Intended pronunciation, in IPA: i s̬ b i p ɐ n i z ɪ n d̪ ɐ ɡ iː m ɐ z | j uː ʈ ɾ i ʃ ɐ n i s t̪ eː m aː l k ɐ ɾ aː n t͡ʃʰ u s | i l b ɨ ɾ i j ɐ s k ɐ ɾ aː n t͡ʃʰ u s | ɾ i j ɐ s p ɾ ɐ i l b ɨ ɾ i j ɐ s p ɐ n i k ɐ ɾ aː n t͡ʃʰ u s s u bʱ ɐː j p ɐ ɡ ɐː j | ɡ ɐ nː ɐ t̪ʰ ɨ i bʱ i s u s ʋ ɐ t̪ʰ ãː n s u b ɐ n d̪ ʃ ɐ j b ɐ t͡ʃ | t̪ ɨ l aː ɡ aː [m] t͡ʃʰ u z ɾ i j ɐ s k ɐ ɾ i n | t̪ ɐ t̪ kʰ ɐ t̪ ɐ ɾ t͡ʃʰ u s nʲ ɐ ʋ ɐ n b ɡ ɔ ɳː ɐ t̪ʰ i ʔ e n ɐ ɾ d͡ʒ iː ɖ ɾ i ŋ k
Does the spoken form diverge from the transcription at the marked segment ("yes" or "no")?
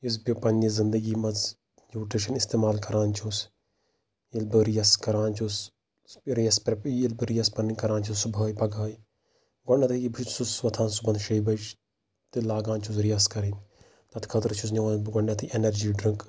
yes